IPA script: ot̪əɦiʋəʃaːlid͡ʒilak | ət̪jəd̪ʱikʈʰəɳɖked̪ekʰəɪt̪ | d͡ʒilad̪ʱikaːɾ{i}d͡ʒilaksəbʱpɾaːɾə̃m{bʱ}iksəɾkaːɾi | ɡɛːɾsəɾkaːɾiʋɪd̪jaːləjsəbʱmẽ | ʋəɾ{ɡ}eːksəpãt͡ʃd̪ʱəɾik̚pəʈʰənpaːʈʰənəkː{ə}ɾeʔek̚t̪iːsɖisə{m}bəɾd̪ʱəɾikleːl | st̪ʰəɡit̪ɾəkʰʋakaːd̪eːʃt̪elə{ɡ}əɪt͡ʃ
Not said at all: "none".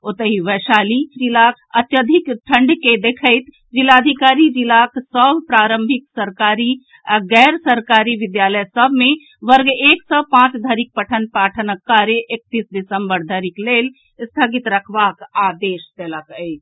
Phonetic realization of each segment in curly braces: i, bʱ, ɡ, a, m, k

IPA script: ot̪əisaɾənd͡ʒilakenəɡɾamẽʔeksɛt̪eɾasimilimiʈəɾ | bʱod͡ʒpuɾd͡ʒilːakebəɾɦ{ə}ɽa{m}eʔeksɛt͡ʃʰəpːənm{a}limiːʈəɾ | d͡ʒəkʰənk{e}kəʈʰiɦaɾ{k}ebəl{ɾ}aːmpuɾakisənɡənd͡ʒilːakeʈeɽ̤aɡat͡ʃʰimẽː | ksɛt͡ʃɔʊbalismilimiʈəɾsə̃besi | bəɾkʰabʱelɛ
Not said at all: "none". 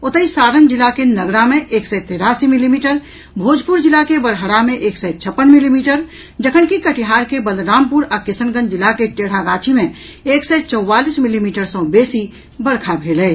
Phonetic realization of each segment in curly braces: ə, m, i, i, k, ɾ

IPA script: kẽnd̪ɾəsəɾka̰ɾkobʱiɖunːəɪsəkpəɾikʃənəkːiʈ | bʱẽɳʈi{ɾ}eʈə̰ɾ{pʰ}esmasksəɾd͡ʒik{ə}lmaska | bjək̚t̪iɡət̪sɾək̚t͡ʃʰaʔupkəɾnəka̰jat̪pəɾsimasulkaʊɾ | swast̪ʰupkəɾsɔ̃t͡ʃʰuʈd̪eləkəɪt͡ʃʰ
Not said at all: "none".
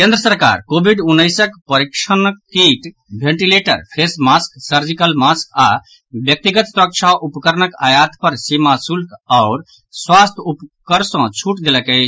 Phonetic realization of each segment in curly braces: l, pʰ, ə

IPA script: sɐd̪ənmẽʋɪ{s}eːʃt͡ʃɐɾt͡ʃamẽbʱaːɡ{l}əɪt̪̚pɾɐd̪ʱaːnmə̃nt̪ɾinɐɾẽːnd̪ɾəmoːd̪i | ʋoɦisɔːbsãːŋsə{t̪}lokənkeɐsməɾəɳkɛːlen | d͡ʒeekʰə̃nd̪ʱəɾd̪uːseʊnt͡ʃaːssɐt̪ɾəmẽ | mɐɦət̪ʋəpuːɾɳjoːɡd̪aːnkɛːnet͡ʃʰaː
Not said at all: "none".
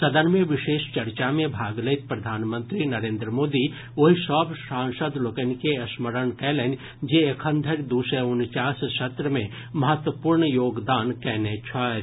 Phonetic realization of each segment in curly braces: ʃ, l, d̪

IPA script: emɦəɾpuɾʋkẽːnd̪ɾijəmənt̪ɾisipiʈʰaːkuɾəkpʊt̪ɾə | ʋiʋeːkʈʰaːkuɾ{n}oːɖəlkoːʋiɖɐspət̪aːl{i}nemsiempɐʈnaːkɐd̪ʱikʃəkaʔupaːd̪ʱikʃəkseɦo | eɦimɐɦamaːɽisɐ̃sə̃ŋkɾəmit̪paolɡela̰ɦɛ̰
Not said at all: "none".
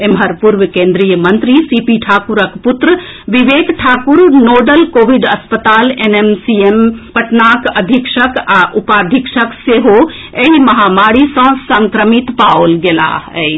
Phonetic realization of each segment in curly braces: n, e

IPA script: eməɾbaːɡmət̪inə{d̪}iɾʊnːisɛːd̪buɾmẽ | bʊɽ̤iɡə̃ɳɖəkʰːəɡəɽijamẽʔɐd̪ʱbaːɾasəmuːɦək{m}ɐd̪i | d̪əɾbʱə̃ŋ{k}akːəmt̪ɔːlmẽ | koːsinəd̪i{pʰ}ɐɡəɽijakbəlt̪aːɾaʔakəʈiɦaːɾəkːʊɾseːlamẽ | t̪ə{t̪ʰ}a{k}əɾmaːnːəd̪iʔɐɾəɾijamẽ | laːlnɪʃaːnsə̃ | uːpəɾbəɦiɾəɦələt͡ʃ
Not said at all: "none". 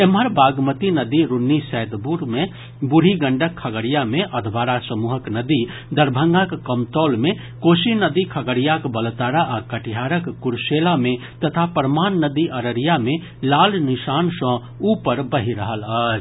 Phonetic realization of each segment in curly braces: d̪, n, ɡ, kʰ, t̪ʰ, p

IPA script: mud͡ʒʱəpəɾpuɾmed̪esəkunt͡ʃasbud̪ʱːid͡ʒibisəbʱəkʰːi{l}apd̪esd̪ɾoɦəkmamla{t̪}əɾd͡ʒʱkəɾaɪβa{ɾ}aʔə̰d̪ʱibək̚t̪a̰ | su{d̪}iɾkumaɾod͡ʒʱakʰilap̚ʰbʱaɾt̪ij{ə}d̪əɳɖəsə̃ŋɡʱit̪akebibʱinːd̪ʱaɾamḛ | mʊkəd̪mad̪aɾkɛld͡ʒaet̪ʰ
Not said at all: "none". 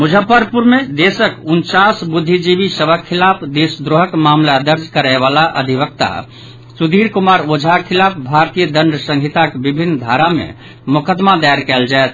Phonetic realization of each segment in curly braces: l, d̪, l, d̪, ə

